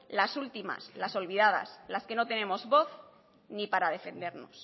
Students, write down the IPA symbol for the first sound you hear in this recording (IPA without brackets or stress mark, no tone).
l